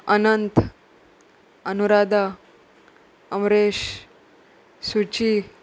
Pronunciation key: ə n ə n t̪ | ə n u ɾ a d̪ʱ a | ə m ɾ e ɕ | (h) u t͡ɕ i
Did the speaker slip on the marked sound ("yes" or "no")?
yes